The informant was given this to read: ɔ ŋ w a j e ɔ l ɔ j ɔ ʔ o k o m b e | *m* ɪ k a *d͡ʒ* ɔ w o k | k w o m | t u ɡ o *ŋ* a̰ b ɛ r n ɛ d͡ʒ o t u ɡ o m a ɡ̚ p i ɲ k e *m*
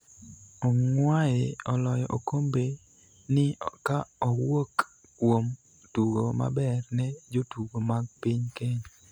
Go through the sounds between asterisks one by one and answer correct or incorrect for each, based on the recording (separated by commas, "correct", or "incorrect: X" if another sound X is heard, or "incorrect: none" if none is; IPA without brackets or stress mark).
incorrect: n, incorrect: none, incorrect: m, incorrect: ɲ